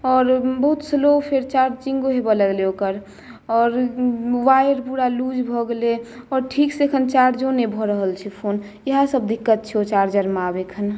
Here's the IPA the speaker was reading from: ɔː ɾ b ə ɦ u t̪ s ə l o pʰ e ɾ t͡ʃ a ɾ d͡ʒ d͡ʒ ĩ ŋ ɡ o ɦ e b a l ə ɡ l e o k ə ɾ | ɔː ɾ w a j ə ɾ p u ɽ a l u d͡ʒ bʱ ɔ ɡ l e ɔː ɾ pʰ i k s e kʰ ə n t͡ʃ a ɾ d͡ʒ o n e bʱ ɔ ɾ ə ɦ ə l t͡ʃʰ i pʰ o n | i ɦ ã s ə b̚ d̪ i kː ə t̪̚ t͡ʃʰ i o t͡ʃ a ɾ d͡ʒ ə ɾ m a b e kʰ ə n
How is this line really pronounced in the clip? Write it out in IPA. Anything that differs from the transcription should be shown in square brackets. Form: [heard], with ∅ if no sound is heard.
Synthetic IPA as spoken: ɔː ɾ b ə ɦ u t̪ s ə l o pʰ e ɾ t͡ʃ a ɾ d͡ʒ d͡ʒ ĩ ŋ ɡ o ɦ e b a l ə ɡ l e o k ə ɾ | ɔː ɾ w a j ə ɾ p u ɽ a l u d͡ʒ bʱ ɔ ɡ l e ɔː ɾ [ʈʰ] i k s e kʰ ə n t͡ʃ a ɾ d͡ʒ o n e bʱ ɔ ɾ ə ɦ ə l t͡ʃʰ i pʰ o n | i ɦ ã s ə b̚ d̪ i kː ə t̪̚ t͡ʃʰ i o t͡ʃ a ɾ d͡ʒ ə ɾ m a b e kʰ ə n